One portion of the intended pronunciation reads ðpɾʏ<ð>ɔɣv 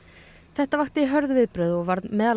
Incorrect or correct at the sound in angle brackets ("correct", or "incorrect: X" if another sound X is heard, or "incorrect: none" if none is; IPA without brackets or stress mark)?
correct